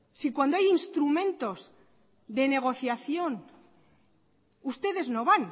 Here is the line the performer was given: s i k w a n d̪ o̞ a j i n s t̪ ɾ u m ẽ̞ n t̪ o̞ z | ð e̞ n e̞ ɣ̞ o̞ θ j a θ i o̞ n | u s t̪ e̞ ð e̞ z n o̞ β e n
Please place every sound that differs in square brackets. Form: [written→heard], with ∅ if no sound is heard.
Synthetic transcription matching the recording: s i k w a n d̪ o̞ a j i n s t̪ ɾ u m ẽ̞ n t̪ o̞ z | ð e̞ n e̞ ɣ̞ o̞ θ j a θ [i→j] o̞ n | u s t̪ e̞ ð e̞ z n o̞ β [e→a] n